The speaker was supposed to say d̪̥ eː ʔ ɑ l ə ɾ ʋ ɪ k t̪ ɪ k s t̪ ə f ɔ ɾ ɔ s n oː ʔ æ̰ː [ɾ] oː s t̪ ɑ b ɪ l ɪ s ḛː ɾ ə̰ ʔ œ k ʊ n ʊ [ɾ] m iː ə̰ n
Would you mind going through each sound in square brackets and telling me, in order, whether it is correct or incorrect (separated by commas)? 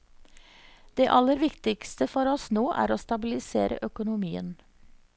correct, incorrect